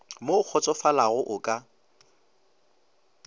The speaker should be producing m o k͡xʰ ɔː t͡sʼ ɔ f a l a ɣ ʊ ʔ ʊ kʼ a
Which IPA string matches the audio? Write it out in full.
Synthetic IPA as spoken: m o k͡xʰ ɔ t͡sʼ ɔ f a l a ɣ ʊ ʔ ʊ kʼ a